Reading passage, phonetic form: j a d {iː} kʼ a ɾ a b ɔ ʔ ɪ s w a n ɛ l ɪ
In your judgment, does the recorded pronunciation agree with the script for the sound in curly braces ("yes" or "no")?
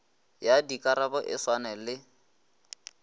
no